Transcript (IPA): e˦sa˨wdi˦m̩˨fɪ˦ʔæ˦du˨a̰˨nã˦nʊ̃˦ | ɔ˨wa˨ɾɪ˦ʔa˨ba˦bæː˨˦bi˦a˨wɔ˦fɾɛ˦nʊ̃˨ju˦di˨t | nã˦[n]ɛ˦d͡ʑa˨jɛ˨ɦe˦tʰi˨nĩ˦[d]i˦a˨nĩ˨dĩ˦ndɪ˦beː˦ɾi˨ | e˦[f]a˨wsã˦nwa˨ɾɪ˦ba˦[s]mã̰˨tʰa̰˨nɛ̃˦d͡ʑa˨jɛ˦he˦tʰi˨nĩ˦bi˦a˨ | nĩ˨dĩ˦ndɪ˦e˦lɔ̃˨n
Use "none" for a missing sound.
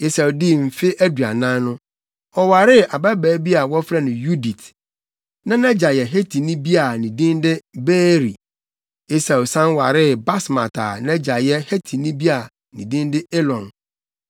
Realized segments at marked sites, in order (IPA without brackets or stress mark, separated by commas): n, b, s, s